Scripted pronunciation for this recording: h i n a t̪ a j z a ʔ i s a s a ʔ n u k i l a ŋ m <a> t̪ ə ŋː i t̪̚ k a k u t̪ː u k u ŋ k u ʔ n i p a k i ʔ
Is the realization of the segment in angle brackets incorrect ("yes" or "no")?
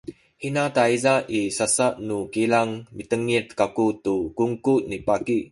yes